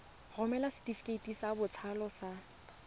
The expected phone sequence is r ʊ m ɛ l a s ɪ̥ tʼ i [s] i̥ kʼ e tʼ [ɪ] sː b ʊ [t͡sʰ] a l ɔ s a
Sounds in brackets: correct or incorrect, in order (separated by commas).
incorrect, incorrect, correct